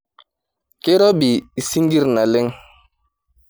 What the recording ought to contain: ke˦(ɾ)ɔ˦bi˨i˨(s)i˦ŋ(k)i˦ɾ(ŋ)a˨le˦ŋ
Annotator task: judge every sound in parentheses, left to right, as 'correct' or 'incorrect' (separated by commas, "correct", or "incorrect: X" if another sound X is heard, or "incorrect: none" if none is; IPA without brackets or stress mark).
correct, correct, incorrect: ɡ, incorrect: n